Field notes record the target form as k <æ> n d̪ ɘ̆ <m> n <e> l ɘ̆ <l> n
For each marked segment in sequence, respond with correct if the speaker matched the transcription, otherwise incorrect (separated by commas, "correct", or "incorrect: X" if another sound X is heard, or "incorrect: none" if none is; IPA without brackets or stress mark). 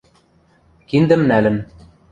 incorrect: i, correct, incorrect: æ, incorrect: none